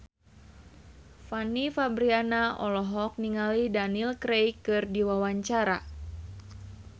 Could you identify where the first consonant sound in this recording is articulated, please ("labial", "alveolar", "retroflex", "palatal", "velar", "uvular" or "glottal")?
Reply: labial